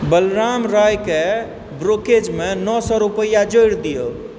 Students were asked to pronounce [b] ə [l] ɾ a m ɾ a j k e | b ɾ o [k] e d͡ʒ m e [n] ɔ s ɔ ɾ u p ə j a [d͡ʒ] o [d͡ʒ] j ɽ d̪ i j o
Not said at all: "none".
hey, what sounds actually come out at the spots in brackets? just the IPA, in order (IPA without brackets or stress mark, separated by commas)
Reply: b, l, k, n, d͡ʒ, none